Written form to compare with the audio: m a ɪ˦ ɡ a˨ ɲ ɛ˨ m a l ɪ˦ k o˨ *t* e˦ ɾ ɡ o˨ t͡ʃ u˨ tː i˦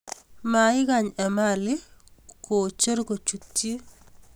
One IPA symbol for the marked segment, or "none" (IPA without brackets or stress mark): t͡ʃ